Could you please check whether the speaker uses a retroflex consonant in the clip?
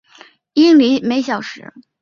yes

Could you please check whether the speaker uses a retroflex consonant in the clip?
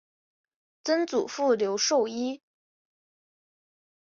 yes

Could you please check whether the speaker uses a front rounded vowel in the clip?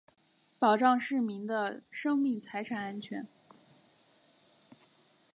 no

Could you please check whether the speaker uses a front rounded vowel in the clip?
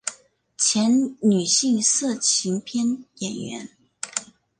yes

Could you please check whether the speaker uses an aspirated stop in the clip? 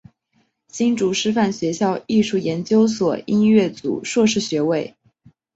no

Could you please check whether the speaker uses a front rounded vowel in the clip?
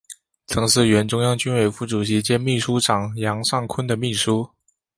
yes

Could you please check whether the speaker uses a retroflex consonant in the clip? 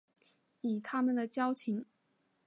no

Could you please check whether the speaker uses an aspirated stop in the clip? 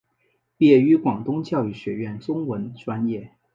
no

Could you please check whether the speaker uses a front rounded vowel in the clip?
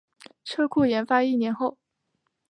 no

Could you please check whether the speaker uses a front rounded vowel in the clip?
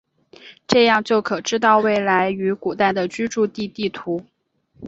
yes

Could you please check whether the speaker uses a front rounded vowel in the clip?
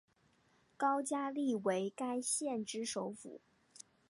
no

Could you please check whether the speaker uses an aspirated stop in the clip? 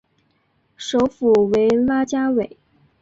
no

